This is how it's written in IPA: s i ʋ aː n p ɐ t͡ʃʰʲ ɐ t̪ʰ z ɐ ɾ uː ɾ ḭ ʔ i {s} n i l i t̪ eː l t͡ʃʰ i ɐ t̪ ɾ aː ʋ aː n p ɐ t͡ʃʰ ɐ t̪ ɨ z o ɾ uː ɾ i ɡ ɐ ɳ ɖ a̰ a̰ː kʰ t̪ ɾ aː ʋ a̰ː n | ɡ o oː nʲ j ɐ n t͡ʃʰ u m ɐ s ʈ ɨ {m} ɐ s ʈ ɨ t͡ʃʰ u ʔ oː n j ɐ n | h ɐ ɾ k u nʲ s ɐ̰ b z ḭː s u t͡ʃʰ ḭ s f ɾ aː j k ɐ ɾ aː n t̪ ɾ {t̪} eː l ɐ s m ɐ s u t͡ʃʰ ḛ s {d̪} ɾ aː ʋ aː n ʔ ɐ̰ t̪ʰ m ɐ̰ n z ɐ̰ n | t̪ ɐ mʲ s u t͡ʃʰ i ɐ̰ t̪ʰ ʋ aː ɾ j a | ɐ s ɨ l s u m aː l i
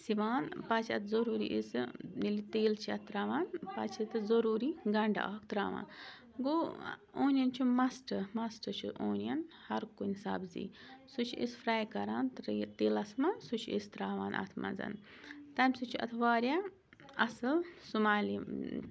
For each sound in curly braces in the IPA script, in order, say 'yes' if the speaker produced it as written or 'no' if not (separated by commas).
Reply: yes, yes, yes, no